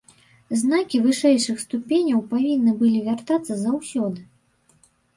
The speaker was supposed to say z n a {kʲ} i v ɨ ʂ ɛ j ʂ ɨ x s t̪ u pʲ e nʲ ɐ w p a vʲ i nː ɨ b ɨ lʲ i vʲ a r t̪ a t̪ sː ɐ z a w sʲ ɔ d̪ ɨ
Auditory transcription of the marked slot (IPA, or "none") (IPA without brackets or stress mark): kʲ